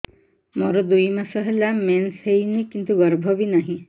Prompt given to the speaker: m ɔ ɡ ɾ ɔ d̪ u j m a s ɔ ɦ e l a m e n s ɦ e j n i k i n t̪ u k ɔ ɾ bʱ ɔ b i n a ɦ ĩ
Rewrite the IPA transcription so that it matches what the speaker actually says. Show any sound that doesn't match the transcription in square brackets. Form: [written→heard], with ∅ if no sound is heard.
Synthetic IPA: m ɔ [ɡ→∅] ɾ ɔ d̪ u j m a s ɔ ɦ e l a m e n s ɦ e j n i k i n t̪ u [k→ɡ] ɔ ɾ bʱ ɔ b i n a ɦ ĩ

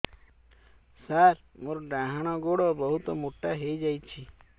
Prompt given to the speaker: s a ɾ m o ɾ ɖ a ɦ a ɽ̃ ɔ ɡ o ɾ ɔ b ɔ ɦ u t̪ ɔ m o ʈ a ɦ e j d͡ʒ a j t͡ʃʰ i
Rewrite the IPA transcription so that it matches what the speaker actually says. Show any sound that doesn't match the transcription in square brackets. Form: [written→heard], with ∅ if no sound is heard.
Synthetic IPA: s a ɾ m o ɾ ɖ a ɦ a ɽ̃ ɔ ɡ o [ɾ→ɽ] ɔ b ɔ ɦ u t̪ ɔ m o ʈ a ɦ e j d͡ʒ a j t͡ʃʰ i

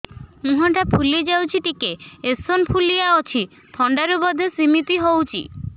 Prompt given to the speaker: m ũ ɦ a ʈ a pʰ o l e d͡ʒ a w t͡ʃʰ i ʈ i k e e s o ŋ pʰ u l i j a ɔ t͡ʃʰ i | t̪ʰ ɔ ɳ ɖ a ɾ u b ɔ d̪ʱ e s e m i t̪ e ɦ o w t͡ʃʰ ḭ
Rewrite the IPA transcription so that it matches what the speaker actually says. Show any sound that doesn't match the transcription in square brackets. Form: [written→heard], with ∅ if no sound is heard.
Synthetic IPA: m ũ ɦ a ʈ a pʰ [o→u] l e d͡ʒ a w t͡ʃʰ i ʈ i k e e s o [ŋ→n] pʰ u l i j a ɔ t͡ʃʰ i | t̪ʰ ɔ ɳ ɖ a ɾ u b ɔ d̪ʱ e s [e→i] m i t̪ [e→i] ɦ o w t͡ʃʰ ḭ

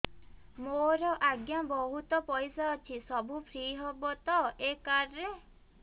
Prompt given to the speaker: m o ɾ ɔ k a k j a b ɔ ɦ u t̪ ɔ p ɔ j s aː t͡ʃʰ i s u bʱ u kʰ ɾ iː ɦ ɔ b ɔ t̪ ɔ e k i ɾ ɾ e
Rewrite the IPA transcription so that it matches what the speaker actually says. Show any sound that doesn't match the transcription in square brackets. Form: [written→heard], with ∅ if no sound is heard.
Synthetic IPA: m o ɾ ɔ [k→ʔ] a [k→ɡ] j a b ɔ ɦ u t̪ ɔ p ɔ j s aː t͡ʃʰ i s [u→ɔ] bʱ u [kʰ→pʰ] ɾ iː ɦ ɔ b ɔ t̪ ɔ e k [i→a] ɾ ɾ e

